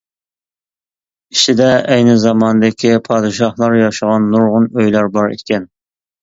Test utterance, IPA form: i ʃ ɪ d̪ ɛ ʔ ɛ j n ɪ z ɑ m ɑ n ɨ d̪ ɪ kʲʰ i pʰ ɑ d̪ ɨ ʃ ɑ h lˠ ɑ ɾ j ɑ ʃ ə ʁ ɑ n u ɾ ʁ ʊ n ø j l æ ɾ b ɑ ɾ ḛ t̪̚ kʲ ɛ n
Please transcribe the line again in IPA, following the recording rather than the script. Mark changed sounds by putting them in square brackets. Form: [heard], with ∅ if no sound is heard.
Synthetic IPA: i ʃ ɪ d̪ ɛ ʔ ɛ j n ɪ z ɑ m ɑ n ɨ d̪ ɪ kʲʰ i pʰ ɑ d̪ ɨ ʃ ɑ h lˠ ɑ ɾ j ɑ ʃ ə ʁ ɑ [nː] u ɾ ʁ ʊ n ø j l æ ɾ b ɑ ɾ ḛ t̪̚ kʲ ɛ n